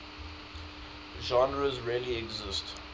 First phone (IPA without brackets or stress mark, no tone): ʒ